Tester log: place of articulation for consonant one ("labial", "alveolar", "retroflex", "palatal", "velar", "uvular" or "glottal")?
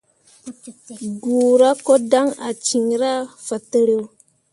velar